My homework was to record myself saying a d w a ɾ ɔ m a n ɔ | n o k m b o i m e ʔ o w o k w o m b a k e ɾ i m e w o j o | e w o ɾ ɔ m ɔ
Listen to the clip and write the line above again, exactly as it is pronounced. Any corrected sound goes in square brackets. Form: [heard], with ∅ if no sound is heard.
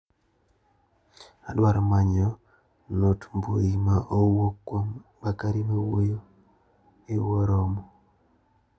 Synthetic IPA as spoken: a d w a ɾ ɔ m a [ɲ] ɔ | n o [t] m b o i m [a] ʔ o w o k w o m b a k [a] ɾ i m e w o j o | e w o ɾ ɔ m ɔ